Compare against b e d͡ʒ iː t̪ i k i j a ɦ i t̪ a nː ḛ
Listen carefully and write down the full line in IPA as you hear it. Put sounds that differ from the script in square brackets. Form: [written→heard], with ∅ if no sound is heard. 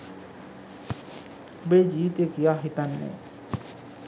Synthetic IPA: b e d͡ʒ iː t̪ [i→e] k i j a ɦ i t̪ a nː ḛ